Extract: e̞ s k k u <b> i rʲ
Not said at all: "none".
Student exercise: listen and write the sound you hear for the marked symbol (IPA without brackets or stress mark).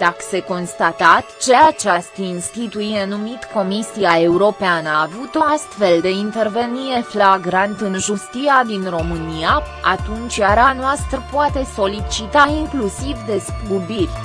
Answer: b